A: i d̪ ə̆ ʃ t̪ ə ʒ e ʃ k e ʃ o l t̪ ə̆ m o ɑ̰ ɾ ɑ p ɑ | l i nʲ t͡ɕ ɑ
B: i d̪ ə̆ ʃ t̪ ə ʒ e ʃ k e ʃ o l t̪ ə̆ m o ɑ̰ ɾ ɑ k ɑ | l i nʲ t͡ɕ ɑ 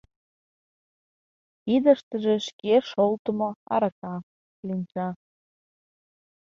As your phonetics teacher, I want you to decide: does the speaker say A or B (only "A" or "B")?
B